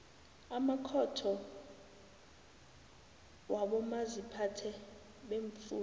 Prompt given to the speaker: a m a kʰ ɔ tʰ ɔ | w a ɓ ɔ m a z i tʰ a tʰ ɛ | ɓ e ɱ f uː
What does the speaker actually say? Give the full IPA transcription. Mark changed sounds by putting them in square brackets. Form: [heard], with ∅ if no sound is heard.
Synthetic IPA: a m a kʰ ɔ tʰ ɔ | w a ɓ ɔ m a z i [pʰ] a tʰ ɛ | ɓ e ɱ f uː